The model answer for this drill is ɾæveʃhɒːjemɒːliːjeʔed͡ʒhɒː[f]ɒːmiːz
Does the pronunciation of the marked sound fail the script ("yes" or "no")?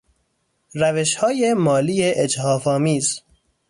no